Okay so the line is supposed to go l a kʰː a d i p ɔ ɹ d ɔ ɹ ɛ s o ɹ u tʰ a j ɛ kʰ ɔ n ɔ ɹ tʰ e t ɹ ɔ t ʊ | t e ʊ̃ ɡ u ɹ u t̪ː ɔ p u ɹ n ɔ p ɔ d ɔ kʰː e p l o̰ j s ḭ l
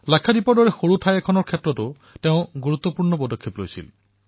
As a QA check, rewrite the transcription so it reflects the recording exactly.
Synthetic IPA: l a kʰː a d i p ɔ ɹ d ɔ ɹ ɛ x o ɹ u tʰ a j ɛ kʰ ɔ n ɔ ɹ kʰ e t ɹ ɔ t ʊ | t e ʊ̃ ɡ u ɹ u t̪ː ɔ p u ɹ n ɔ p ɔ d ɔ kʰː e p l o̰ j s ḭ l